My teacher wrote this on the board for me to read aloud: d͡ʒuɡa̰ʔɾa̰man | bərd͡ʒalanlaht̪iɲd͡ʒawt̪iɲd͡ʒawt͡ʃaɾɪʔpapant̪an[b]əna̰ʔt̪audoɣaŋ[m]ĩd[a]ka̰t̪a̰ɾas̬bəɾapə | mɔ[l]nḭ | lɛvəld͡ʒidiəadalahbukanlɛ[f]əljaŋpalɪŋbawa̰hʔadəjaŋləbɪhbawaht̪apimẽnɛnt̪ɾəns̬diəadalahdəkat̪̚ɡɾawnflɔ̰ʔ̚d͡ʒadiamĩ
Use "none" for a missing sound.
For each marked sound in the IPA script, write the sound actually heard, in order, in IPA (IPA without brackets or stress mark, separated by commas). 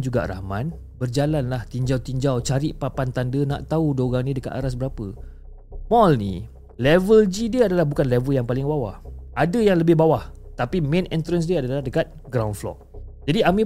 d, n, ə, l, v